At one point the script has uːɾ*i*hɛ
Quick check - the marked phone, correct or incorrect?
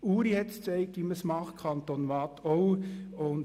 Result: correct